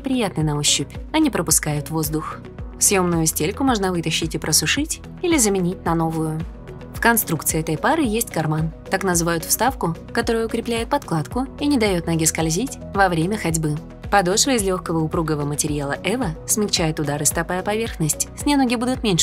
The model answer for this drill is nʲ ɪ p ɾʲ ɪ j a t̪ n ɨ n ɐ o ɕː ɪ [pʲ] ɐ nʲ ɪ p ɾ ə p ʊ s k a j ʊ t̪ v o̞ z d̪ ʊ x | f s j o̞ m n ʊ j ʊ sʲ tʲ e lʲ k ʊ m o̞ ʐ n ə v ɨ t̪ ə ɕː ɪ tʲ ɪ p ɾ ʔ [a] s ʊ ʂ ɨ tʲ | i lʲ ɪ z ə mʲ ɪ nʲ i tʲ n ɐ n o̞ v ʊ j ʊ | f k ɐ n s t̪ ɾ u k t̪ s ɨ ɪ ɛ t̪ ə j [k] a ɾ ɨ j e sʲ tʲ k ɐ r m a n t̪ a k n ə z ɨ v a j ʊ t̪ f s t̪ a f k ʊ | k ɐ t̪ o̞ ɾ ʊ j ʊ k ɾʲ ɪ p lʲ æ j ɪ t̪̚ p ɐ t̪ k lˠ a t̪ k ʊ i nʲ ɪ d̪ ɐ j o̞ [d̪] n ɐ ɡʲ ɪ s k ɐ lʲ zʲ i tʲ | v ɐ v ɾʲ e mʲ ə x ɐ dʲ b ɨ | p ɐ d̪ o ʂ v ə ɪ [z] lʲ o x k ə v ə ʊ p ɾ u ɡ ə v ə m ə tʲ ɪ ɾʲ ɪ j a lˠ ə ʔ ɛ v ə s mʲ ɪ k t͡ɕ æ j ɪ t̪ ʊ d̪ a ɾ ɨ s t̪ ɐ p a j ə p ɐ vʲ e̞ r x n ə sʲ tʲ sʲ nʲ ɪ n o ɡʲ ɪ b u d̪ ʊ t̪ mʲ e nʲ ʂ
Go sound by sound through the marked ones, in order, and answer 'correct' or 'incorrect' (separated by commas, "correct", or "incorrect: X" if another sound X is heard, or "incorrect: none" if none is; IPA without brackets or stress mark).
correct, incorrect: ə, incorrect: p, incorrect: t̪, correct